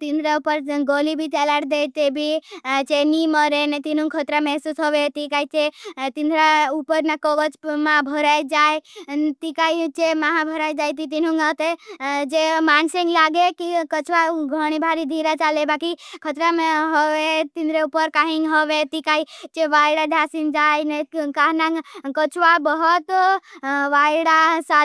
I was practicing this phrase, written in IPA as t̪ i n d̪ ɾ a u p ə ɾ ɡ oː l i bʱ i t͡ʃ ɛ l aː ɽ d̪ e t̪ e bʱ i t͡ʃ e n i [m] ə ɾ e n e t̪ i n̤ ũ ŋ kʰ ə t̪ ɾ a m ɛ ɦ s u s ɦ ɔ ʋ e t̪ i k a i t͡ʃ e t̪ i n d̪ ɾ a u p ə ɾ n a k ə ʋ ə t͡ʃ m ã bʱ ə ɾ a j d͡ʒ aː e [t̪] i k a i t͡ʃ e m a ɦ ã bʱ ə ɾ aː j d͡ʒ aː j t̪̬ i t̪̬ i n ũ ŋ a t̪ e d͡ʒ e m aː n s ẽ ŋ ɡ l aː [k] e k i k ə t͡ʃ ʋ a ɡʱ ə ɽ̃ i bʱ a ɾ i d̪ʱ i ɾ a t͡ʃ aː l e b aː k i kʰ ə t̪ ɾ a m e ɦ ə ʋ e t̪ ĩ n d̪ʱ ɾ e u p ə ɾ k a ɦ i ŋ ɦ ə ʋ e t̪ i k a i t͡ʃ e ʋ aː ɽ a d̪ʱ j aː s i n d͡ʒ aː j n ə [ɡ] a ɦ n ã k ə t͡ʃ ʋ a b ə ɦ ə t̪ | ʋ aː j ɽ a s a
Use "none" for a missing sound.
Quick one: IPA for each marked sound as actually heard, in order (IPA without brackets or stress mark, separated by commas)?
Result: m, t̪, ɡ, k